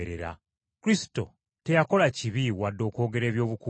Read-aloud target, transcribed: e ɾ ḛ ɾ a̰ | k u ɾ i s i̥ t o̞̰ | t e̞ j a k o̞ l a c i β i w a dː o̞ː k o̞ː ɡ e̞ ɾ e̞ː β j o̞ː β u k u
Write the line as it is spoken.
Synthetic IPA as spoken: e ɾ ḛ ɾ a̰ | k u ɾ i s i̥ t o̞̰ | t e̞ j a k o̞ l a c i β i w a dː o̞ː k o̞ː ɡ e̞ ɾ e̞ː β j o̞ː β u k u